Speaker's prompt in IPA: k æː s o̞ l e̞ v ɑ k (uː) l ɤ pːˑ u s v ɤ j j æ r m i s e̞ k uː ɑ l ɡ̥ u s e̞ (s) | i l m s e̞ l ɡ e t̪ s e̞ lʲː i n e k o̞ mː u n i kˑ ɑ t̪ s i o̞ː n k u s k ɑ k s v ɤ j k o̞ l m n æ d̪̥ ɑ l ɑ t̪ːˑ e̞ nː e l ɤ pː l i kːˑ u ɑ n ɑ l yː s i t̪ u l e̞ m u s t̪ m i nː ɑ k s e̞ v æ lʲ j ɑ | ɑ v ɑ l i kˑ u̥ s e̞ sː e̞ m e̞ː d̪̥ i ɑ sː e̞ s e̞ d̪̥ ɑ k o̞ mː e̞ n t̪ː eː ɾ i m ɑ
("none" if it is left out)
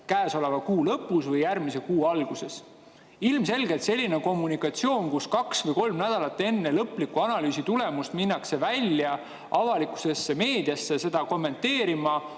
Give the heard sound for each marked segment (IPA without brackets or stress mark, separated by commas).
uː, s